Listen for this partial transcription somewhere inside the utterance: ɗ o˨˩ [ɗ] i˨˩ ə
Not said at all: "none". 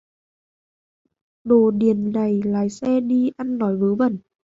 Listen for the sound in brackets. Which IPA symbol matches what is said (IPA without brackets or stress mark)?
ɗ